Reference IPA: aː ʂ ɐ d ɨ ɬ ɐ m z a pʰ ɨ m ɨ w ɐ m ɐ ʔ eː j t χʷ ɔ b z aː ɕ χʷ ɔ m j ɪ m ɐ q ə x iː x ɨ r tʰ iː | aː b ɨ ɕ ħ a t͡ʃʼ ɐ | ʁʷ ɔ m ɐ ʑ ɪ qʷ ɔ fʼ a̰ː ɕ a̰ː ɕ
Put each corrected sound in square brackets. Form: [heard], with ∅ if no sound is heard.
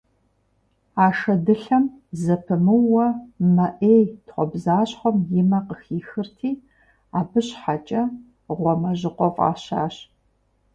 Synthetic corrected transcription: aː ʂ ɐ d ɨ ɬ ɐ m z [ɐ] pʰ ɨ m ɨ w ɐ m ɐ ʔ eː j t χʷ ɔ b z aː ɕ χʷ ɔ m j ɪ m ɐ q ə x iː x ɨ r tʰ iː | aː b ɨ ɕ ħ a t͡ʃʼ ɐ | ʁʷ ɔ m ɐ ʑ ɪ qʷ ɔ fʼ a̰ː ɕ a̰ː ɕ